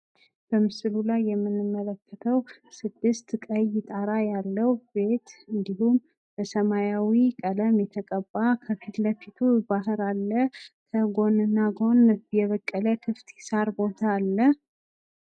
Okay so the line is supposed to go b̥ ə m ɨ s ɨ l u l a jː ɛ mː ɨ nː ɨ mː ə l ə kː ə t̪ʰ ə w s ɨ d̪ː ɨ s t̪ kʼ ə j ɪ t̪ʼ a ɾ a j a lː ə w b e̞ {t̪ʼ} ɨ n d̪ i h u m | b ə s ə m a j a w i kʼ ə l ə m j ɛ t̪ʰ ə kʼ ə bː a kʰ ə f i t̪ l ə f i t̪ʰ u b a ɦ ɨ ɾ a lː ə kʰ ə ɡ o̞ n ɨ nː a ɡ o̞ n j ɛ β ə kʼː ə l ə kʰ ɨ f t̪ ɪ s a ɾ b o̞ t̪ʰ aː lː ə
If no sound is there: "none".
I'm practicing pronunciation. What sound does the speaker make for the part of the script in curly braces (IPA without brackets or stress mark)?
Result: t̪